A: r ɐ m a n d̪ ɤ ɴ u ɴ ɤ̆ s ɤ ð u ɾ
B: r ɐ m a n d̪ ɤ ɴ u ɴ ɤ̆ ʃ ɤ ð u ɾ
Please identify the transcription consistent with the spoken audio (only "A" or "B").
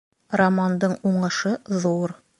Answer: B